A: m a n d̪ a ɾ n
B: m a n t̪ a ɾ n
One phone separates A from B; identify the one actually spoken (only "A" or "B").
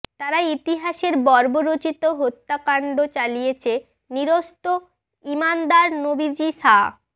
A